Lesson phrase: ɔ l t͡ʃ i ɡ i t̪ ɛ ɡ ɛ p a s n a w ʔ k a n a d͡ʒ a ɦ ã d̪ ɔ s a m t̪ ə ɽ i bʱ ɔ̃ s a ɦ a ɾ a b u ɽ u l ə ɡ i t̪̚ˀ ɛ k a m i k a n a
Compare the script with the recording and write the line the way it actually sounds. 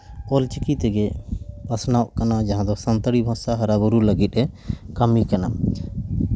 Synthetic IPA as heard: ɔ l t͡ʃ i k i t̪ ɛ ɡ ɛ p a s n a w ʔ k a n a d͡ʒ a ɦ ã d̪ ɔ s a n t̪ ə ɽ i bʱ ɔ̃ s a ɦ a ɾ a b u ɾ u l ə ɡ i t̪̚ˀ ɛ k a m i k a n a